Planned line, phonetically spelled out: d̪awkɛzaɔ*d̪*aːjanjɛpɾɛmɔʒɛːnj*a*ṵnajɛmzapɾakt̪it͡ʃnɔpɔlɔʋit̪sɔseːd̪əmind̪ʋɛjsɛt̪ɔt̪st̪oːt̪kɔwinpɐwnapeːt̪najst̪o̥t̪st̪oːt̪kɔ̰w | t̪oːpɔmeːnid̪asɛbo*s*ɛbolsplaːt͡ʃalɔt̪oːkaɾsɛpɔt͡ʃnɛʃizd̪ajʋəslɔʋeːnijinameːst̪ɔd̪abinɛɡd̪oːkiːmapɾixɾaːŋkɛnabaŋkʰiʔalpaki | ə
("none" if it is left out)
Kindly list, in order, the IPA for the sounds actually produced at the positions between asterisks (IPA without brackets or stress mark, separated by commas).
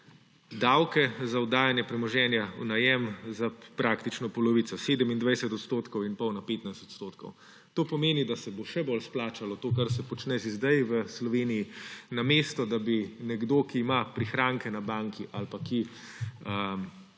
d̪, a, ʃ